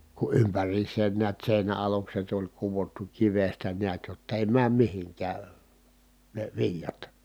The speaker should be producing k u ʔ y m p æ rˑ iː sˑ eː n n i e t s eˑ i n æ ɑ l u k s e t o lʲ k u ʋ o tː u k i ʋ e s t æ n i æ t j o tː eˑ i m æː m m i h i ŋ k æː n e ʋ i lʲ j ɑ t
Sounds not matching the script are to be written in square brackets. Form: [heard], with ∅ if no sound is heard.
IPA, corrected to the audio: k u ʔ y m p æ rˑ iː sˑ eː n n i [æ] t s eˑ i n æ ɑ l u k s e t o lʲ k u ʋ o tː u k i ʋ e s t æ n i æ t j o tː eˑ i m æː m m i h i ŋ k æː n e ʋ i lʲ j ɑ t